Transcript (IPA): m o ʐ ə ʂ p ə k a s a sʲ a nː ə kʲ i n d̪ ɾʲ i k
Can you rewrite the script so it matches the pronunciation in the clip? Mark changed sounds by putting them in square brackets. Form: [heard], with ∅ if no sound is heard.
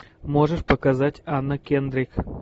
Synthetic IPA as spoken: m o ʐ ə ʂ p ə k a [z] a [tʲ] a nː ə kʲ [e] n d̪ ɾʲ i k